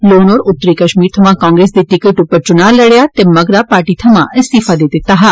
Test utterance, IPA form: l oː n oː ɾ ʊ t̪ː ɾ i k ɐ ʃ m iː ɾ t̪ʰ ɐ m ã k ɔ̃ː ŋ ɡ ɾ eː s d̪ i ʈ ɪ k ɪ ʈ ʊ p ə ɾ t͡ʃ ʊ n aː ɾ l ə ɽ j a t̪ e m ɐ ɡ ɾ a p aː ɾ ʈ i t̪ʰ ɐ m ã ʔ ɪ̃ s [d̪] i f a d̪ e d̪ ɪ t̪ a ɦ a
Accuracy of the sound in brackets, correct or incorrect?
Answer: incorrect